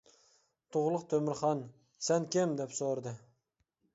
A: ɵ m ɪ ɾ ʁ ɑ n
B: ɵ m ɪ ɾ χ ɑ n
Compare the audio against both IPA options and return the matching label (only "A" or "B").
B